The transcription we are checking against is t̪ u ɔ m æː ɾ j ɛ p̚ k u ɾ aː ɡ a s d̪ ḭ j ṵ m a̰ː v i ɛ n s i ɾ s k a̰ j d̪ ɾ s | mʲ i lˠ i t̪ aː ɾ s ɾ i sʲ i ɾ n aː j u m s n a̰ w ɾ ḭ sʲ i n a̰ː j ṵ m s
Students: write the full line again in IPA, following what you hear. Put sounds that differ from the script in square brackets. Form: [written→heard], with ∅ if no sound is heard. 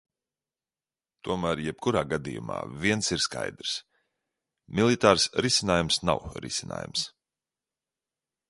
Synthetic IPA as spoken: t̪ u ɔ m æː ɾ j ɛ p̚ k u ɾ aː ɡ a [s→∅] d̪ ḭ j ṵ m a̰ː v i ɛ n s i ɾ s k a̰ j d̪ ɾ s | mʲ i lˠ i t̪ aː ɾ s ɾ i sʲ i [ɾ→∅] n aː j u m s n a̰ w ɾ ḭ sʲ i n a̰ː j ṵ m s